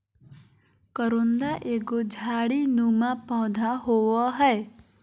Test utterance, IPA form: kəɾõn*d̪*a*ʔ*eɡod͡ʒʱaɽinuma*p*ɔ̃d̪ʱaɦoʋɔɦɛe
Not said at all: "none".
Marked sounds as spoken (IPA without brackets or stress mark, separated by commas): d̪, ʔ, p